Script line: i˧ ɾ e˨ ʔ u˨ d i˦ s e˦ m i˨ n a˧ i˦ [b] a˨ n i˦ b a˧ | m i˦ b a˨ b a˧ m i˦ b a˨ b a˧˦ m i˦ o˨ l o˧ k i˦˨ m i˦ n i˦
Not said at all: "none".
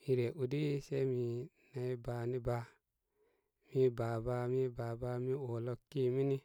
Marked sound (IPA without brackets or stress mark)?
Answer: b